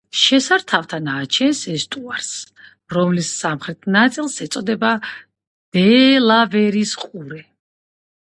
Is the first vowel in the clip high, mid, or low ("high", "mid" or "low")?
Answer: mid